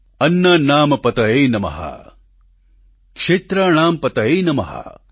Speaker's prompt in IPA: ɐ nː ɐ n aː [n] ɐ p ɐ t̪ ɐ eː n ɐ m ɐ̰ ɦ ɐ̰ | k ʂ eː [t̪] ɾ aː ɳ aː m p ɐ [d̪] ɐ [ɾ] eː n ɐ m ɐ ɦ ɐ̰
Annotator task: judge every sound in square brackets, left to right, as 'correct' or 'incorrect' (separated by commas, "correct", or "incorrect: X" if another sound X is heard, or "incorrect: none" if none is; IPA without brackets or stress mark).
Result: incorrect: m, correct, incorrect: t̪, incorrect: none